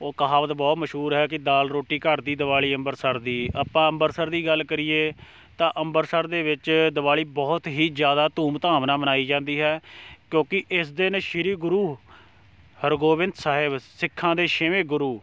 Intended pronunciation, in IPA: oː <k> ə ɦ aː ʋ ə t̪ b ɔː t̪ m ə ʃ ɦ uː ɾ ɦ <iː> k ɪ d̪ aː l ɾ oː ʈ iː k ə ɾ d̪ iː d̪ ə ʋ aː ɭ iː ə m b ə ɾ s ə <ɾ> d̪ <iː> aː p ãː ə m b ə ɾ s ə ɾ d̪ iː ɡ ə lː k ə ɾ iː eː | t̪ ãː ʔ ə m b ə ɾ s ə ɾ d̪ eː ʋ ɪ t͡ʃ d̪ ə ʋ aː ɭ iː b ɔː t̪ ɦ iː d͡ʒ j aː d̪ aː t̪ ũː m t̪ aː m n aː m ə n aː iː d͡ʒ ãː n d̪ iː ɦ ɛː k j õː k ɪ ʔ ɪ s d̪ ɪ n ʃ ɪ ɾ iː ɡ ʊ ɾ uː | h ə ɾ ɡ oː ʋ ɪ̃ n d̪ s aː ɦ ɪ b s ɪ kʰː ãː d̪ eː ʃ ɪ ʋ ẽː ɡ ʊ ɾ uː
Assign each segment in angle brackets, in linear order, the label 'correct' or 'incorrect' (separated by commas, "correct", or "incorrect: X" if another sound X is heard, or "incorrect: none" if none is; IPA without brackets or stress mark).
correct, incorrect: ɛː, correct, correct